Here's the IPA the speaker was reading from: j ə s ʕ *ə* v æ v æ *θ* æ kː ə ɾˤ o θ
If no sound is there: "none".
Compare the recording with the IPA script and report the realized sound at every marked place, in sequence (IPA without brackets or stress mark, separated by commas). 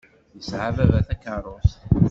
a, θ